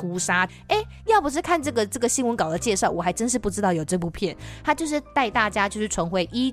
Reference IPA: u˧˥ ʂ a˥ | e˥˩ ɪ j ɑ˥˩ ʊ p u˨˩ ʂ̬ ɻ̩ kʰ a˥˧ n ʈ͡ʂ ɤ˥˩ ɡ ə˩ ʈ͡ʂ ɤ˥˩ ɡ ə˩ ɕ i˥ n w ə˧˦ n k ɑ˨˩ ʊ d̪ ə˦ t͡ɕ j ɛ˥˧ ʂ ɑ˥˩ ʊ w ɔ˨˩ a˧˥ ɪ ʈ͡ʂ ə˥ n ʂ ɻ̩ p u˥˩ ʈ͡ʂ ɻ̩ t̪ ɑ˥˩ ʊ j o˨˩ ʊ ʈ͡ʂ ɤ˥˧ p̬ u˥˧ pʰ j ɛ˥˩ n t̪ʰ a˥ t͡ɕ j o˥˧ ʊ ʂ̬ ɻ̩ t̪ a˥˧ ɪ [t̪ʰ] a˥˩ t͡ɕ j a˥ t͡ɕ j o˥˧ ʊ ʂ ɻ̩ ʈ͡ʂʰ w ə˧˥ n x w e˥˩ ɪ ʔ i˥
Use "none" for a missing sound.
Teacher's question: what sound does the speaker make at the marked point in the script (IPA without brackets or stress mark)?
t̪